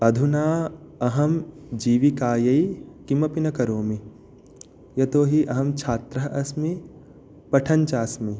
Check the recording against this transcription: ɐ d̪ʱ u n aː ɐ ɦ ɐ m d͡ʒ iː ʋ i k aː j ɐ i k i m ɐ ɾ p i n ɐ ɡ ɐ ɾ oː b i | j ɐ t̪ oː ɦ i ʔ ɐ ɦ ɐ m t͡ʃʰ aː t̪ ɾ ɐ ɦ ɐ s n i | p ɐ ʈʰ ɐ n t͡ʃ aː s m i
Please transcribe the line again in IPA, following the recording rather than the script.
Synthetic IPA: ɐ d̪ʱ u n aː ɐ ɦ ɐ m d͡ʒ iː ʋ i k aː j ɐ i k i m ɐ p i n ɐ k ɐ ɾ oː m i | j ɐ t̪ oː ɦ i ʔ ɐ ɦ ɐ m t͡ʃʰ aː t̪ ɾ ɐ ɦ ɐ s m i | p ɐ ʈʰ ɐ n t͡ʃ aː s m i